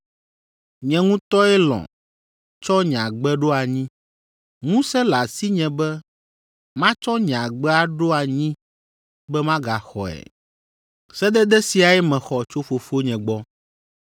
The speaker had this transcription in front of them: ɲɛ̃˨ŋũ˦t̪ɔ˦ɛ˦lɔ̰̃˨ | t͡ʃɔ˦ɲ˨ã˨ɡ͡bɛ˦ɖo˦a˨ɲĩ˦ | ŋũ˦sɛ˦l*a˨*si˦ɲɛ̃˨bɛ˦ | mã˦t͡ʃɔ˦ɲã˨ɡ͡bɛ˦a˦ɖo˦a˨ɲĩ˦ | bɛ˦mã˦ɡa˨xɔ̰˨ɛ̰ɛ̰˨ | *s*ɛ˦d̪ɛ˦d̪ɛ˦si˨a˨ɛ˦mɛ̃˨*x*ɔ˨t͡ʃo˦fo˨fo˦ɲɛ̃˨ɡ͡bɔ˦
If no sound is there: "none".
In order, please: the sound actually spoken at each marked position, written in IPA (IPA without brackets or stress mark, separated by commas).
a˨, s, x